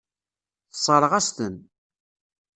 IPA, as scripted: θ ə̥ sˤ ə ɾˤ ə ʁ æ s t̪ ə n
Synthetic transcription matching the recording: θ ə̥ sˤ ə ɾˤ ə ʁ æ s t̪ ə n